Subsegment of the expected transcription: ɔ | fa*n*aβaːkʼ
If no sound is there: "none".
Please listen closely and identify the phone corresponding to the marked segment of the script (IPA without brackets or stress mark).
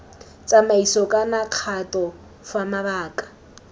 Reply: m